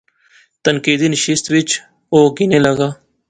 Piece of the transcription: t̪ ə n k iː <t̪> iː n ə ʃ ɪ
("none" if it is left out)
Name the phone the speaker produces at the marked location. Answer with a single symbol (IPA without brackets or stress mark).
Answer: d̪